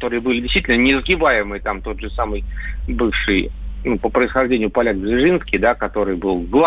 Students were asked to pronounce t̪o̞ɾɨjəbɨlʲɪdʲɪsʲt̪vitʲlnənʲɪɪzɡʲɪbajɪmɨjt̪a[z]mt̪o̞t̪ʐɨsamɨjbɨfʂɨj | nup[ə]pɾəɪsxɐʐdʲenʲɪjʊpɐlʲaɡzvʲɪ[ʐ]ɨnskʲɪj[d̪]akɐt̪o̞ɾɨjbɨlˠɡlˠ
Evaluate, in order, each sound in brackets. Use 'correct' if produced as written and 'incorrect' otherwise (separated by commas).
incorrect, correct, correct, correct